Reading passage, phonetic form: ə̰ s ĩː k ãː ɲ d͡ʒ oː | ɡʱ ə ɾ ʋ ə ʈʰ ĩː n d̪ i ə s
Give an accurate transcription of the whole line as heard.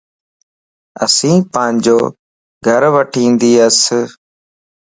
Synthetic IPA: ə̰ s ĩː p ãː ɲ d͡ʒ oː | ɡʱ ə ɾ ʋ ə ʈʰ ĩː n d̪ iː ə s

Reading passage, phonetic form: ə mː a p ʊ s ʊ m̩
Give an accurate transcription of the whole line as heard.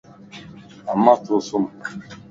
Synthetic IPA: a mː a t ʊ s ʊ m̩

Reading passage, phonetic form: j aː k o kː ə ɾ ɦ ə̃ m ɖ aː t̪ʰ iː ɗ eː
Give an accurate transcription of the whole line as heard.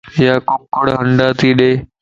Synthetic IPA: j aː k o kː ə ɽ ɦ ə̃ ɳ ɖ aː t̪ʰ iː ɗ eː

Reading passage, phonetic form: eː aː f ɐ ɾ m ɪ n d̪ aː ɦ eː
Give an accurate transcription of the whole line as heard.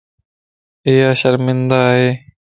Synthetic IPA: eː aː ɕ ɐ ɾ m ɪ n d̪ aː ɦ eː

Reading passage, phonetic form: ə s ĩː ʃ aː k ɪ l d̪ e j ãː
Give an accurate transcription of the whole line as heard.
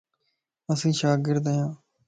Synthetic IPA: ə s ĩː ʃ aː ɡ ɪ ɾ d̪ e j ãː

